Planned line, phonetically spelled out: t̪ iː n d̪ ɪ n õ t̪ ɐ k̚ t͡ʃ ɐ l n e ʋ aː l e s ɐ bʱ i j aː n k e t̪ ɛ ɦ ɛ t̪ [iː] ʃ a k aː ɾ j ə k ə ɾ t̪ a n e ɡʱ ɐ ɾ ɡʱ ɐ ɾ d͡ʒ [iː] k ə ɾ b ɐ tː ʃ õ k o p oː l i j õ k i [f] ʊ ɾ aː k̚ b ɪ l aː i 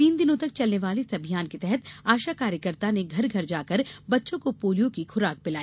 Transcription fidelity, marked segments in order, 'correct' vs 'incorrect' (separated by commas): incorrect, incorrect, incorrect